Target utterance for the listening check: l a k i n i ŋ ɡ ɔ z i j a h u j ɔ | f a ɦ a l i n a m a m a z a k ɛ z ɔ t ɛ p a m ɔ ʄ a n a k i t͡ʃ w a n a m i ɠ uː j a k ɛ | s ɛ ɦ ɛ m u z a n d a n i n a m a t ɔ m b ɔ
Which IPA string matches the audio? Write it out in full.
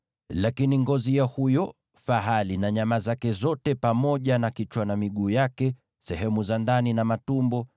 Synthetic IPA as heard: l a k i n i ŋ ɡ ɔ z i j a h u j ɔ | f a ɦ a l i n a ɲ a m a z a k ɛ z ɔ t ɛ p a m ɔ ʄ a n a k i t͡ʃ w a n a m i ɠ uː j a k ɛ | s ɛ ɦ ɛ m u z a n d a n i n a m a t u m b ɔ